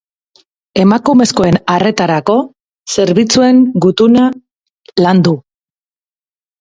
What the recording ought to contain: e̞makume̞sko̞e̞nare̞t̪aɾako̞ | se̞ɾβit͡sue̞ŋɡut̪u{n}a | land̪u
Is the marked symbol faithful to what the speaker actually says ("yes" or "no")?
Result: yes